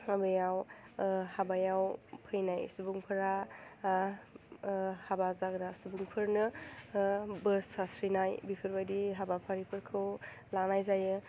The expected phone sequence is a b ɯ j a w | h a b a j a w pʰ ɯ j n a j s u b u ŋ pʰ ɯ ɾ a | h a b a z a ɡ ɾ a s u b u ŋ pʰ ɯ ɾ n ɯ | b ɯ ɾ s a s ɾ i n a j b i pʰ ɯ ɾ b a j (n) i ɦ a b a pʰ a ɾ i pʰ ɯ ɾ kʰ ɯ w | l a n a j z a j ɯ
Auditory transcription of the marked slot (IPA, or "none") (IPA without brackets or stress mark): d